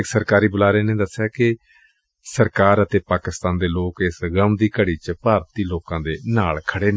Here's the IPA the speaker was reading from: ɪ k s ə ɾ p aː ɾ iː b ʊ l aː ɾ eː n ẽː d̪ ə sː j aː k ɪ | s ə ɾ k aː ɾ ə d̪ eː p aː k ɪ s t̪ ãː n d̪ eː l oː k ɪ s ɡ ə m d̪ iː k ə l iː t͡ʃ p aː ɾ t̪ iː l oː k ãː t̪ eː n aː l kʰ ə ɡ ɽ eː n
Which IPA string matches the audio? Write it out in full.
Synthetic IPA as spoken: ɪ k s ə ɾ k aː ɾ iː b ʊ l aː ɾ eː n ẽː d̪ ə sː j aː k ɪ | s ə ɾ k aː ɾ ə t̪ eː p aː k ɪ s t̪ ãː n d̪ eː l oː k ɪ s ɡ ə m d̪ iː k ə ɽ iː t͡ʃ p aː ɾ t̪ iː l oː k ãː d̪ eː n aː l kʰ ə ɽ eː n